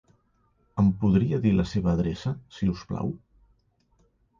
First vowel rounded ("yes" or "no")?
no